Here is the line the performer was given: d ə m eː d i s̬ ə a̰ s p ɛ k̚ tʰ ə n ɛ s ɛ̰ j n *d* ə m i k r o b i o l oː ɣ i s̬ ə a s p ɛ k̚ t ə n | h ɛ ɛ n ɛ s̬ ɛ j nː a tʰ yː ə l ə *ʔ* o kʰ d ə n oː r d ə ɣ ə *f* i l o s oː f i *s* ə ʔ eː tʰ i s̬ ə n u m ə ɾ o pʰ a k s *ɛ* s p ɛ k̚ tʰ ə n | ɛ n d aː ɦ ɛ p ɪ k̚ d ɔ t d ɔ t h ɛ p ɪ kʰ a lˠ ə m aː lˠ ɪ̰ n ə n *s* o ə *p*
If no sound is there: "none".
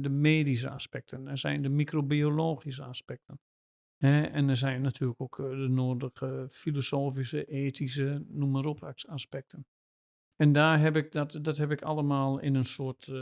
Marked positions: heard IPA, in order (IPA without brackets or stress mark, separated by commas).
d, k, f, s, a, s, t